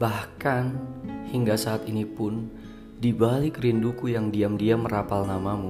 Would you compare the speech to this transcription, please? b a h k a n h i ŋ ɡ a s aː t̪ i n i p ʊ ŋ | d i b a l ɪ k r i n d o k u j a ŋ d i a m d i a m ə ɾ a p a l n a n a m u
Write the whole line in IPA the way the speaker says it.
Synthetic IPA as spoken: b a h k a n h i ŋ ɡ a s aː t̪ i n i p ʊ n | d i b a l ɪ k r i n d u k u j a ŋ d i a m d i a m ə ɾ a p a l n a m a m u